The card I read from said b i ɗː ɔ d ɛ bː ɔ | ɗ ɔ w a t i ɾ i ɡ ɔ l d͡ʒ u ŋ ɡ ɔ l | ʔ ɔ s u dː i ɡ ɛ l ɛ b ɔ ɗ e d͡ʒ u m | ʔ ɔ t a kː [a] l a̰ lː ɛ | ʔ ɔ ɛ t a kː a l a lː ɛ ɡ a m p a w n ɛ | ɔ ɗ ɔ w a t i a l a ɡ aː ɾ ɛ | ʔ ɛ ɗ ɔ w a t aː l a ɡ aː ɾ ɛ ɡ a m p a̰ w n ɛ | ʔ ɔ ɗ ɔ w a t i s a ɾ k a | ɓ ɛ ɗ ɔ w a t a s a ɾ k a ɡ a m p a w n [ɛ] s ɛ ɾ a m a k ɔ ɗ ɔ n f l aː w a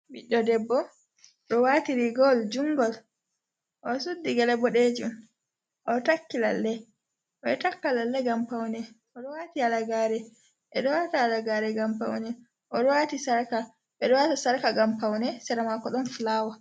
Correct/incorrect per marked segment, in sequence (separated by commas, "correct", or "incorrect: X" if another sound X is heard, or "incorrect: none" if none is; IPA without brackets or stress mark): incorrect: i, correct